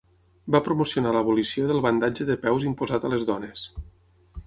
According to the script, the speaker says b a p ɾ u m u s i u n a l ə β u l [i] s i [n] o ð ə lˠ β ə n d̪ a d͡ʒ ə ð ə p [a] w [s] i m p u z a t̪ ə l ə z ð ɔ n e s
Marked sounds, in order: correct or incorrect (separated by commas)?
correct, incorrect, incorrect, incorrect